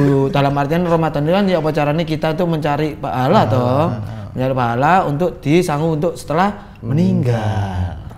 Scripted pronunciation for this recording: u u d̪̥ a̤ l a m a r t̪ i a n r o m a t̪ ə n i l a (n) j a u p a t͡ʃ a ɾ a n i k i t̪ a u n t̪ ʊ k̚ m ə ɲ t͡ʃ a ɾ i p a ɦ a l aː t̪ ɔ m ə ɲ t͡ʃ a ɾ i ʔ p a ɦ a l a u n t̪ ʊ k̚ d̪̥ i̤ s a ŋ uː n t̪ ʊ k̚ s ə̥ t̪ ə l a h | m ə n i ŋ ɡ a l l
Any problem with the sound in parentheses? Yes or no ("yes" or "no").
no